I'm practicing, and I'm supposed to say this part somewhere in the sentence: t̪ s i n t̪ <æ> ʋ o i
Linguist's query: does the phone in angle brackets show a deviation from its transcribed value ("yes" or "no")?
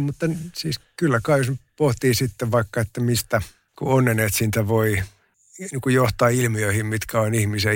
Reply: no